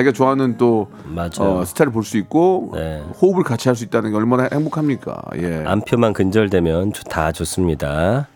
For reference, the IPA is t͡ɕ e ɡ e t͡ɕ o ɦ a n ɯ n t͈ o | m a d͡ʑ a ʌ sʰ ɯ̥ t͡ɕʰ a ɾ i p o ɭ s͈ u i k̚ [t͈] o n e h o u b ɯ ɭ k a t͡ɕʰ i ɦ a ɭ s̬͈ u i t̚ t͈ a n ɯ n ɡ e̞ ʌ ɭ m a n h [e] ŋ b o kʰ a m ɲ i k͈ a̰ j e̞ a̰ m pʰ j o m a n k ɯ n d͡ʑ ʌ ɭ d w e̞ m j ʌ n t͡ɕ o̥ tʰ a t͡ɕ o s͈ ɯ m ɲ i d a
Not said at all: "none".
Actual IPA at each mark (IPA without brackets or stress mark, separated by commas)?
k͈, e